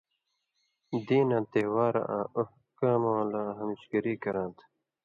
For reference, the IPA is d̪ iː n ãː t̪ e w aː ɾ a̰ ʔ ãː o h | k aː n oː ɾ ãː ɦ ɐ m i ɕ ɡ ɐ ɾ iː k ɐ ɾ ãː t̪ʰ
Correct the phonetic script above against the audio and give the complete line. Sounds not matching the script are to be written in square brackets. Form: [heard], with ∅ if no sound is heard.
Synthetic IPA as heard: d̪ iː n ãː t̪ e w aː ɾ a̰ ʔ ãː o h | k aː [m] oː [l] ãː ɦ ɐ m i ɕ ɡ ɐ ɾ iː k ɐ ɾ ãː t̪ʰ